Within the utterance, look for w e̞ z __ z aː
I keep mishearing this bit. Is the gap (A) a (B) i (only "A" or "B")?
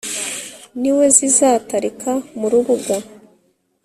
B